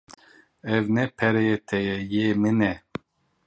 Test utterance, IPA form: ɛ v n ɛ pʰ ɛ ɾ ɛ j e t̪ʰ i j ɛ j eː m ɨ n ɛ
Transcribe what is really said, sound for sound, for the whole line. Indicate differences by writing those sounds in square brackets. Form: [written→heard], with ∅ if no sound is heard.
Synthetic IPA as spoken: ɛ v n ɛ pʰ ɛ ɾ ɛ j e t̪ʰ [i→ɛ] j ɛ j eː m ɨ n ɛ